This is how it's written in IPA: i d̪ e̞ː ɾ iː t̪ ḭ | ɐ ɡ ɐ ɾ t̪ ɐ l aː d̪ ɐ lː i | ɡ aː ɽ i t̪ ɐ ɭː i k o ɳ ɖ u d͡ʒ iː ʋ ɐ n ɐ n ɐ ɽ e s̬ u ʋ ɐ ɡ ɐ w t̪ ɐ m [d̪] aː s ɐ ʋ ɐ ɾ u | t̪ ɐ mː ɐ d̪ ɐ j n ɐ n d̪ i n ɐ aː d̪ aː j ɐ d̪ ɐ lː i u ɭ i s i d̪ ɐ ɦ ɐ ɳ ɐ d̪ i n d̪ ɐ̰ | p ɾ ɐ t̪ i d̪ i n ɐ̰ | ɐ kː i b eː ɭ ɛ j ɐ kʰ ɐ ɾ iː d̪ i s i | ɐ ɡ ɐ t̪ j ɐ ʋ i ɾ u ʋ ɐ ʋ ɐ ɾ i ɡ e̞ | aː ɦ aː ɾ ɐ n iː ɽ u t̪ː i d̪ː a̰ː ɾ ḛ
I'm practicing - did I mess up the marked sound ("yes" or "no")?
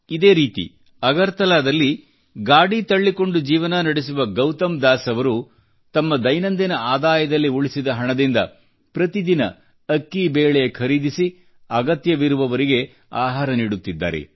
no